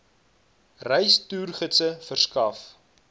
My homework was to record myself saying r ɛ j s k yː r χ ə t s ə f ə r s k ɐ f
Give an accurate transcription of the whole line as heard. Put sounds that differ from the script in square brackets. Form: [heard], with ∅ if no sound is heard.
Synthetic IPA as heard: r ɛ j s [t] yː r χ ə t s ə f ə r s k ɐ f